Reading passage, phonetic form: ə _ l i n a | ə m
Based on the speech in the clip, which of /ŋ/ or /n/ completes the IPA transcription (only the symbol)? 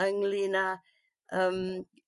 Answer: ŋ